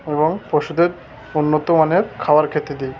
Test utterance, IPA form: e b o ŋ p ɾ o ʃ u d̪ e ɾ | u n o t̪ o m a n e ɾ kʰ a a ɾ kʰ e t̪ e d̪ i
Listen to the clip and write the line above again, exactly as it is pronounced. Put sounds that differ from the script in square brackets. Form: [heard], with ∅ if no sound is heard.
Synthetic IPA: e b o ŋ p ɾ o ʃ u d̪ e ɾ | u [nː] o t̪ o m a n e ɾ kʰ a a ɾ kʰ e t̪ e d̪ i

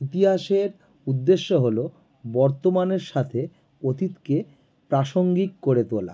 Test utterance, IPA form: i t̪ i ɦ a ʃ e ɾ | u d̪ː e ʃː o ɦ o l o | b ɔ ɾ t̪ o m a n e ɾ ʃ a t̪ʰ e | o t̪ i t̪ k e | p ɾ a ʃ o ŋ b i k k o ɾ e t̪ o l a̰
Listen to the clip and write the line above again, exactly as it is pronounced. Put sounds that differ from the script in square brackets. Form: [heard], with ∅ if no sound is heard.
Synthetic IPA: i t̪ i ɦ a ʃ e ɾ | u d̪ː e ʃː o ɦ o l o | b ɔ ɾ t̪ o m a n e ɾ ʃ a t̪ʰ e | o t̪ i t̪ k e | p ɾ a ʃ o ŋ [ɡ] i k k o ɾ e t̪ o l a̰

